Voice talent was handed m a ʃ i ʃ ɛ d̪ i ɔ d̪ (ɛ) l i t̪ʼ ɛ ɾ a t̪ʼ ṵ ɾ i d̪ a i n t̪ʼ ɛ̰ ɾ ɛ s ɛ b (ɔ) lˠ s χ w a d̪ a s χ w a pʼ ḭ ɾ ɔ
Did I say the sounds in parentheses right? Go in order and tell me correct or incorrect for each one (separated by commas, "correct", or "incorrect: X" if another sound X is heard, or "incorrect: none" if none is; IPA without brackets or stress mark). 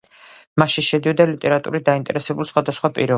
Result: incorrect: a, incorrect: u